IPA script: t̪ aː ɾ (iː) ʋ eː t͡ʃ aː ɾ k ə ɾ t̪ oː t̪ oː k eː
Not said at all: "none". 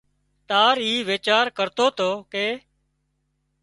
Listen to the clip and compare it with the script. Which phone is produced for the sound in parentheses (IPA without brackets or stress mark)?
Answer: iː